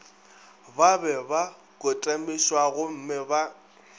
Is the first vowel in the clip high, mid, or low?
low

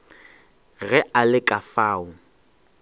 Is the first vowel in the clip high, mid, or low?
mid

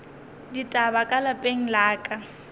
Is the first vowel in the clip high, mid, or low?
high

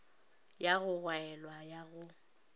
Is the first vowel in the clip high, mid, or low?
low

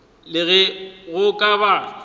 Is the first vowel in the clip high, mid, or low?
high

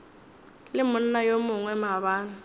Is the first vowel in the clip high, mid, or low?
high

